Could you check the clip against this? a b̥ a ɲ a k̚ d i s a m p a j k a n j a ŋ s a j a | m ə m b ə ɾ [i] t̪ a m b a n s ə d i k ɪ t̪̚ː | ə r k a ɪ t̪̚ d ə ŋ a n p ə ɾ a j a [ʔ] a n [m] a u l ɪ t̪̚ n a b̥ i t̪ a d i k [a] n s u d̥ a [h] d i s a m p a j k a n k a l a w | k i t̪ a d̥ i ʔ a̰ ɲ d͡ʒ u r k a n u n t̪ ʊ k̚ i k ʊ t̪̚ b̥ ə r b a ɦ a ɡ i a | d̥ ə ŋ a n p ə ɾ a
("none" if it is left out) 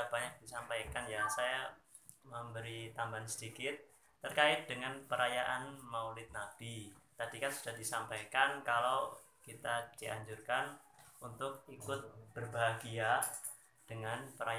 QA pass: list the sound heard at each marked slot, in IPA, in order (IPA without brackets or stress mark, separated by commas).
i, ʔ, m, a, h